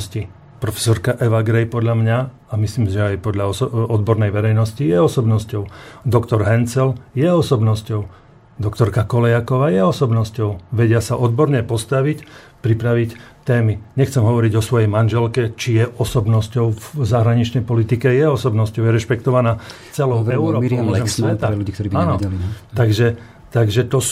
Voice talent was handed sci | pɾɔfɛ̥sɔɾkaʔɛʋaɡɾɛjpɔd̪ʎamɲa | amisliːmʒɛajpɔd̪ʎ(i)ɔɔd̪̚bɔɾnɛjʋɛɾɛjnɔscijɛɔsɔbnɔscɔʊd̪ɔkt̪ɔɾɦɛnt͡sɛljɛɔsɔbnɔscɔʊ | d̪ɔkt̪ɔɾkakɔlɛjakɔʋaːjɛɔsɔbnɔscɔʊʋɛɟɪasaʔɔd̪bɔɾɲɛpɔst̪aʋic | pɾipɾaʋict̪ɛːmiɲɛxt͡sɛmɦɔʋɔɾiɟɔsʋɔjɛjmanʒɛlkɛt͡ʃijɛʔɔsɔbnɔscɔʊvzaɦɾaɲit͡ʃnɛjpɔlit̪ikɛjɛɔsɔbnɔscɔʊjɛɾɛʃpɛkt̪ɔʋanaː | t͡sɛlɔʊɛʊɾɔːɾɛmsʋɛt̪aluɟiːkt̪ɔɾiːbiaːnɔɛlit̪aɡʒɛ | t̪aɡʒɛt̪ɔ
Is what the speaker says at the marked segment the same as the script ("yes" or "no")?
no